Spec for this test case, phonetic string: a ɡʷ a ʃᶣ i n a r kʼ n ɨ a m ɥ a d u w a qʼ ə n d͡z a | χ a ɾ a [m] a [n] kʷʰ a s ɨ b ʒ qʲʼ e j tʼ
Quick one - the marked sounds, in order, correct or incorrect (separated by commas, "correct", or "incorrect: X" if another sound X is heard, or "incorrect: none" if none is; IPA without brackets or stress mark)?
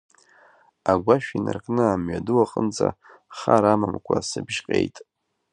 correct, incorrect: m